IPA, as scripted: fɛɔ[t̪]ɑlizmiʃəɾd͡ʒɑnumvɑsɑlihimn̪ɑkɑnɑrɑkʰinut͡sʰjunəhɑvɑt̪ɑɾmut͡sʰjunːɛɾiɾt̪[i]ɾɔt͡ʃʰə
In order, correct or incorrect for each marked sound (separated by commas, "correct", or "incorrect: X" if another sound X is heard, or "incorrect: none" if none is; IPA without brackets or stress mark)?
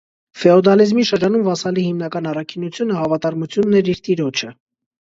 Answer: incorrect: d̪, correct